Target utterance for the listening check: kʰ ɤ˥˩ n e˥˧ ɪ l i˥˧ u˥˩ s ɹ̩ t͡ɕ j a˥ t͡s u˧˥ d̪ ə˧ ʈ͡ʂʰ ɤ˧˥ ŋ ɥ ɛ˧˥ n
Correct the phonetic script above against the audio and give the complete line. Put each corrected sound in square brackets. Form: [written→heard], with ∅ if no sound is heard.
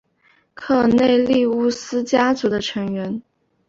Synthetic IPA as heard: kʰ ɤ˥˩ n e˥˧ ɪ l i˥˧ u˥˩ s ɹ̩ t͡ɕ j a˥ t͡s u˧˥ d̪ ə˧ ʈ͡ʂʰ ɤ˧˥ ŋ ɥ ɛ˧˥ n